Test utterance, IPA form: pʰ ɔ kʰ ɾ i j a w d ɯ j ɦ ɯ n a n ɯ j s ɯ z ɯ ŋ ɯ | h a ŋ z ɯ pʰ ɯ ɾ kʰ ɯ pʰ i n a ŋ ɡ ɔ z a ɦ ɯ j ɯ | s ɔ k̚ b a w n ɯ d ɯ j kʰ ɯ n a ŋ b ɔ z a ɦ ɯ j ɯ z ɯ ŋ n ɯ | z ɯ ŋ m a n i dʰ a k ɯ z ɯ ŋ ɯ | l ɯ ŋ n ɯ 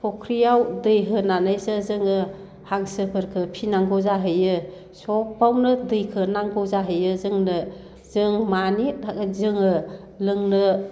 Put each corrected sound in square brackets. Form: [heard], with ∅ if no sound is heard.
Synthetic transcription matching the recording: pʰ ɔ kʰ ɾ i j a w d ɯ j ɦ ɯ n a n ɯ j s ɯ z ɯ ŋ ɯ | h a ŋ [s] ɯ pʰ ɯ ɾ kʰ ɯ pʰ i n a ŋ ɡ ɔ z a ɦ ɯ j ɯ | s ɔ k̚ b a w n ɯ d ɯ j kʰ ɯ n a ŋ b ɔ z a ɦ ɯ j ɯ z ɯ ŋ n ɯ | z ɯ ŋ m a n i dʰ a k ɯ z ɯ ŋ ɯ | l ɯ ŋ n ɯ